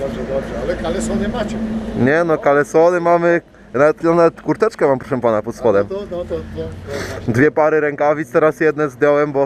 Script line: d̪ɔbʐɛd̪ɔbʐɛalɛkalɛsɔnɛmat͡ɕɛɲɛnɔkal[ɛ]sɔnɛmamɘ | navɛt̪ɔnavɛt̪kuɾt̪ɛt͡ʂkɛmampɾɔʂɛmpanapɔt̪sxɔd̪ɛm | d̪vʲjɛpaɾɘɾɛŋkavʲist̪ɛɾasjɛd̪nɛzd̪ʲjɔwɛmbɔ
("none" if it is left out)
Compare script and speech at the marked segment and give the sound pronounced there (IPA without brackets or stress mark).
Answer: ɛ